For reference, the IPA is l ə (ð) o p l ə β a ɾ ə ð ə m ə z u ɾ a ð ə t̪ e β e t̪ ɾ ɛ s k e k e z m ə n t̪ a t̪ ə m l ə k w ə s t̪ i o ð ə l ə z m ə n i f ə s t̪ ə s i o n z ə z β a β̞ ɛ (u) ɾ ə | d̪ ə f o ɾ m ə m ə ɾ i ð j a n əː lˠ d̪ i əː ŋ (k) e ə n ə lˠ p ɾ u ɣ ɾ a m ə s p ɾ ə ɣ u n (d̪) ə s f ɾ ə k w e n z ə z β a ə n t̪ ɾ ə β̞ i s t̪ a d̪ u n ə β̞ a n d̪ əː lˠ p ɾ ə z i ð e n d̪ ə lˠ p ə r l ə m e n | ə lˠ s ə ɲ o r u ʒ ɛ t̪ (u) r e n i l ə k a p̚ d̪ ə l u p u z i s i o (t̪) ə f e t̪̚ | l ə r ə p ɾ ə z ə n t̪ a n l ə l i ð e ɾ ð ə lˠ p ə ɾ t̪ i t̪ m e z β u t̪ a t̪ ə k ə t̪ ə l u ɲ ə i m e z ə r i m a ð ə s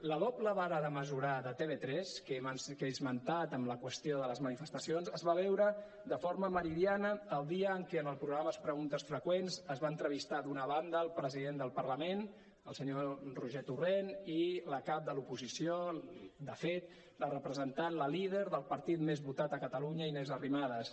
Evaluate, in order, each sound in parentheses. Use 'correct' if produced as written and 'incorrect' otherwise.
correct, incorrect, correct, incorrect, correct, incorrect

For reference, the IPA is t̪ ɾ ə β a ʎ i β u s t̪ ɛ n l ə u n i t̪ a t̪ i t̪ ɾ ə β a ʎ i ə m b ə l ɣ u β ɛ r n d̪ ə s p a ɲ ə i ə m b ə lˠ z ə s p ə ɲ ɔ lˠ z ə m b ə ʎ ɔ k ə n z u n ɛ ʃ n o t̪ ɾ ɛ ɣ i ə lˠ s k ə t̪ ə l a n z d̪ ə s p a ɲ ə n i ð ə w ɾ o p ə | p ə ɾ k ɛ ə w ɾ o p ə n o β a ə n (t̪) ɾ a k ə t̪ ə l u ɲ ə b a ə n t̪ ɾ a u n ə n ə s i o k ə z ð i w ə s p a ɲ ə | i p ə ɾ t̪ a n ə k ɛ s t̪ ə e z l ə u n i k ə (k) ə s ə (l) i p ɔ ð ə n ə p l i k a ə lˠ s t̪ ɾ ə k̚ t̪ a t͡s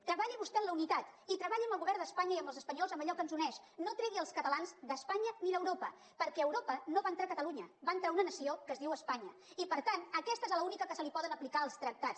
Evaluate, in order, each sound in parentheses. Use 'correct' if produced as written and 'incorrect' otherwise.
correct, correct, correct

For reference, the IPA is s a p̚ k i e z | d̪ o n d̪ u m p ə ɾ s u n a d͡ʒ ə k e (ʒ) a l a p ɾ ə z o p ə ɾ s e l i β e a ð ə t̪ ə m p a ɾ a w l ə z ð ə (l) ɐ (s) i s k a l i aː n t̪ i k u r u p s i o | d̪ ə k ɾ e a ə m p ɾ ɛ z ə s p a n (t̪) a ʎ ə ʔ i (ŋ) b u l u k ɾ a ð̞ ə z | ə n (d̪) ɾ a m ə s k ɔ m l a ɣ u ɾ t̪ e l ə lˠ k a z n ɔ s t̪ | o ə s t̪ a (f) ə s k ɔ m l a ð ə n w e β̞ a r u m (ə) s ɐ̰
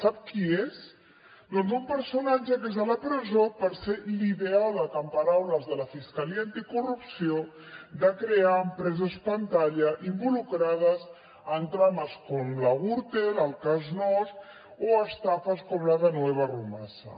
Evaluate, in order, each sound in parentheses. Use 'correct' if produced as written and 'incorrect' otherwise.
incorrect, correct, incorrect, correct, incorrect, incorrect, correct, incorrect

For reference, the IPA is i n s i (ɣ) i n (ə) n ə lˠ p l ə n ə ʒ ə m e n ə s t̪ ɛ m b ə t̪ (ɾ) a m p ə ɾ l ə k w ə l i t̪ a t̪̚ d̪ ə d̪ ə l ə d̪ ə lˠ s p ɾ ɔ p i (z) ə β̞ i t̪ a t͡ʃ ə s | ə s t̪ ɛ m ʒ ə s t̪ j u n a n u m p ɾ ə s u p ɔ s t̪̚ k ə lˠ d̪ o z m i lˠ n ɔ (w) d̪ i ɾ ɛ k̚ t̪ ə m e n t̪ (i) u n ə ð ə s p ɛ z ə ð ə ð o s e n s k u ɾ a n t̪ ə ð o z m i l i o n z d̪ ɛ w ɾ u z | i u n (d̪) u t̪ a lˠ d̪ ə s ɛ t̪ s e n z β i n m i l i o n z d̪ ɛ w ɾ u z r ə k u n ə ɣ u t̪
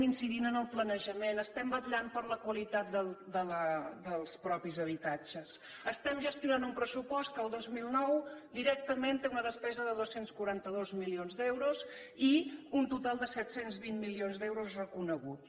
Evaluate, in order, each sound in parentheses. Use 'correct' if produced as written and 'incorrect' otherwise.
incorrect, correct, incorrect, correct, correct, incorrect, incorrect

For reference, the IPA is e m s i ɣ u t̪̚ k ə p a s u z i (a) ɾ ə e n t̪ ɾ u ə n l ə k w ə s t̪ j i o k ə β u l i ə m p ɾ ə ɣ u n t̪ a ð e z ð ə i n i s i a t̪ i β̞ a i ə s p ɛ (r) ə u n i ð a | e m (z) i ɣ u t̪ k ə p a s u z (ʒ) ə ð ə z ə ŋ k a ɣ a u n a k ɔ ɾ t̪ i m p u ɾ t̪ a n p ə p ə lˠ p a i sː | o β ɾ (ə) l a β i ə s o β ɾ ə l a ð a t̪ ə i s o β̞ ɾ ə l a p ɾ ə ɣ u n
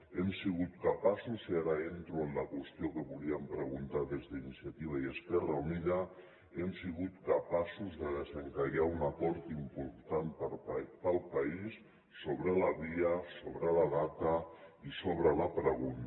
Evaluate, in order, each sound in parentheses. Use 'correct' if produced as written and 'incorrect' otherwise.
correct, correct, incorrect, incorrect, correct

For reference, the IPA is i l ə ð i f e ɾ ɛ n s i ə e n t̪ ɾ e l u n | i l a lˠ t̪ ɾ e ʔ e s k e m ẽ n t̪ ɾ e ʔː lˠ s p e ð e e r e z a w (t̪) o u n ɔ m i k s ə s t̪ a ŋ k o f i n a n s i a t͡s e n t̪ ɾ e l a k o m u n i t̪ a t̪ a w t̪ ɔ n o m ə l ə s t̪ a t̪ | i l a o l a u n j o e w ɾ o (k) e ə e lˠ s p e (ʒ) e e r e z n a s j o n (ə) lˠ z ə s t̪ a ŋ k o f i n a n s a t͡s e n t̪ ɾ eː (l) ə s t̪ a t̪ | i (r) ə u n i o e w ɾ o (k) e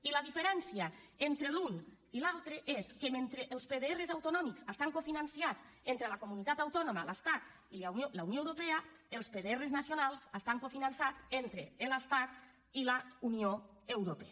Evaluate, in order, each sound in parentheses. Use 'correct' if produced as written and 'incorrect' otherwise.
correct, incorrect, incorrect, incorrect, correct, incorrect, incorrect

